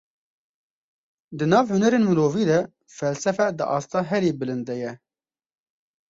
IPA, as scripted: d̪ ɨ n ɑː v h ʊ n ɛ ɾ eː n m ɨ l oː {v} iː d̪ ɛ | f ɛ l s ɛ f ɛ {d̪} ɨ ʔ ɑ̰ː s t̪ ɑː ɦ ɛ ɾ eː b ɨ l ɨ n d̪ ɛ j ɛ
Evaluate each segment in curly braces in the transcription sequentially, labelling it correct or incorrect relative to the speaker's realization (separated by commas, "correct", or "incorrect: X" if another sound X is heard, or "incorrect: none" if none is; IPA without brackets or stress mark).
correct, correct